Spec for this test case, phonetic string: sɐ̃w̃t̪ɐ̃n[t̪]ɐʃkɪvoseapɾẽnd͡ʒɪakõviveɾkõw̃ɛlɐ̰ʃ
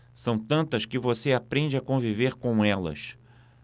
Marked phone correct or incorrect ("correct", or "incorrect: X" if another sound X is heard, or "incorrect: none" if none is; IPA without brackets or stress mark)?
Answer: correct